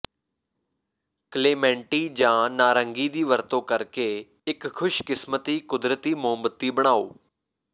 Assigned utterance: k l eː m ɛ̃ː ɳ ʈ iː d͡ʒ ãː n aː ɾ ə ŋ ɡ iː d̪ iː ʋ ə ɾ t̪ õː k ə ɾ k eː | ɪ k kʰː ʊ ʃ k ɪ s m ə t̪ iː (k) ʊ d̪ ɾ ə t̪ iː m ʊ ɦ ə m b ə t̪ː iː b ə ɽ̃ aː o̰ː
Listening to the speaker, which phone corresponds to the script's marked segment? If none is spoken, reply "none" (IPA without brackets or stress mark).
k